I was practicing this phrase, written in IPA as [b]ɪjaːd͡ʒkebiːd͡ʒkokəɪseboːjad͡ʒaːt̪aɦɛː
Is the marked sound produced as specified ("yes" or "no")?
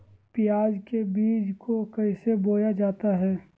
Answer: no